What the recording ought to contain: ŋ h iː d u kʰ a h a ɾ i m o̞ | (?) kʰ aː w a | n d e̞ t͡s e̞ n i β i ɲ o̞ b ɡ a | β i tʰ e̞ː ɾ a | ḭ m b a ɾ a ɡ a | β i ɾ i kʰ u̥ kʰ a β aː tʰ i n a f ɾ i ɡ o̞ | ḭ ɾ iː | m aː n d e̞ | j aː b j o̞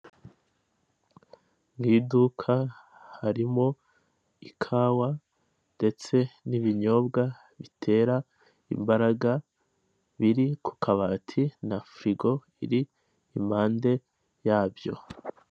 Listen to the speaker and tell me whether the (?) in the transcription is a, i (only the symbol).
i